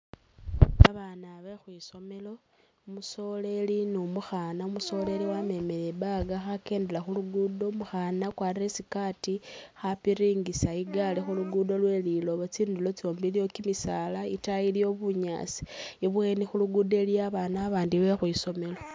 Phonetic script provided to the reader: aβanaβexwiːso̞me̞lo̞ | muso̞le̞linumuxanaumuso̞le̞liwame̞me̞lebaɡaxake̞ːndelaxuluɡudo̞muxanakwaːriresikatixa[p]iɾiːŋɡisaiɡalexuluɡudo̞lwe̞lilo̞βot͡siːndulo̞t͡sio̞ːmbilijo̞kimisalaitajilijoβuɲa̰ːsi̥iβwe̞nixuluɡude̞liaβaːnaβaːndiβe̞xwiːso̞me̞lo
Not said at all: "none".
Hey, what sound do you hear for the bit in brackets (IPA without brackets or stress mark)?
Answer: p